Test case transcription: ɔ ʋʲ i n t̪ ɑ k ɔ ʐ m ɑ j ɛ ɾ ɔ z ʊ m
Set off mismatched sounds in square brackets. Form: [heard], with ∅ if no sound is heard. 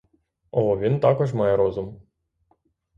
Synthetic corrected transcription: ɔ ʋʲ i n t̪ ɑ k ɔ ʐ m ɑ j ɛ ɾ ɔ z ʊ m